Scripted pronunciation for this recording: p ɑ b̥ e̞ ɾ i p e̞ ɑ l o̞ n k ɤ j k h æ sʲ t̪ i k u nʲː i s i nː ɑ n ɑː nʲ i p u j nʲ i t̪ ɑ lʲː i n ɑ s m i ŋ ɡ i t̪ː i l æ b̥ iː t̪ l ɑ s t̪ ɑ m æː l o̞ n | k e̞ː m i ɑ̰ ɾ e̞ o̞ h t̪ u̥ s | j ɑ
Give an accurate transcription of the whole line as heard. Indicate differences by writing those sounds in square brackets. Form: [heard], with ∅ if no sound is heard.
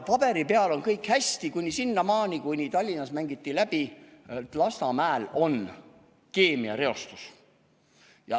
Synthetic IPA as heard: p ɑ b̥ e̞ ɾ i p e̞ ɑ l o̞ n k ɤ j k h æ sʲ t̪ i k u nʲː i s i nː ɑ [m] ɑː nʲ i [k] u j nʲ i t̪ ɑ lʲː i n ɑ s m [æ] ŋ ɡ i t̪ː i l æ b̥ [i] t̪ l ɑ s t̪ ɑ m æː l o̞ n | k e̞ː m i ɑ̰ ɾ e̞ o̞ [s] t̪ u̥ s | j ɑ